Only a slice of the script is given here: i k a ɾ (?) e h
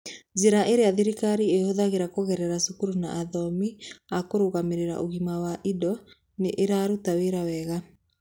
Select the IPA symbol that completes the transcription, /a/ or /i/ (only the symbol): i